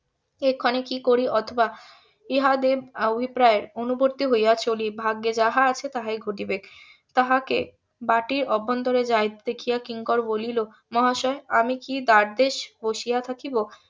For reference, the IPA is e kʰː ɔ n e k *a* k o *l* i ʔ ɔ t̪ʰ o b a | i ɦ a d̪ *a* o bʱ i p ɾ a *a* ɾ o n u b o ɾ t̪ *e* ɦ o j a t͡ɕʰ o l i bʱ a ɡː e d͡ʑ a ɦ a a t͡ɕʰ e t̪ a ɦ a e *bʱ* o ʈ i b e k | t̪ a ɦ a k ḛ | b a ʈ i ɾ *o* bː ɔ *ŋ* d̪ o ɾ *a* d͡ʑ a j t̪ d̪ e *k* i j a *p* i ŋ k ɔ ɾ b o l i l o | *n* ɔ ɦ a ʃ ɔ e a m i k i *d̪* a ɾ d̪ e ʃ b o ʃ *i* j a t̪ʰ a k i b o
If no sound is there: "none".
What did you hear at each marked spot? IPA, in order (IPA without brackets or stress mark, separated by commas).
i, ɾ, e, e, i, ɡʱ, ɔ, n, e, kʰ, k, m, d̪, i